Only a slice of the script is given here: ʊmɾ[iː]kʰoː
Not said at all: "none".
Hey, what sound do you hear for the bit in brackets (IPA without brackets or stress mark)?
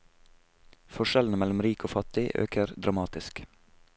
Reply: iː